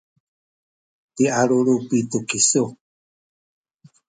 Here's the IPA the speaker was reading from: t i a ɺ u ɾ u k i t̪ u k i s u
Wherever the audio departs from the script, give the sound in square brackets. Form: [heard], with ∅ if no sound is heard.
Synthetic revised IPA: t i a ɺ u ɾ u [p] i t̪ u k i s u